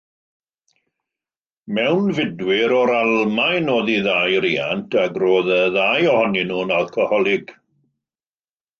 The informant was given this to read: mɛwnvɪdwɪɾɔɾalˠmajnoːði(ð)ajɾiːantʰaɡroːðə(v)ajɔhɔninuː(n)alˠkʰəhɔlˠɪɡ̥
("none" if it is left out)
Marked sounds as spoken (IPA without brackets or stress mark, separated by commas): ð, ð, n